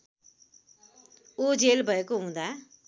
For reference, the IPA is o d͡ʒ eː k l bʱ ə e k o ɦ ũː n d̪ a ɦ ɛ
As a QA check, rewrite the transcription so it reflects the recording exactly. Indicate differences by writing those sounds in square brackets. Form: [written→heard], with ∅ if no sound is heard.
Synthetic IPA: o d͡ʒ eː [k→∅] l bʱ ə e k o ɦ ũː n d̪ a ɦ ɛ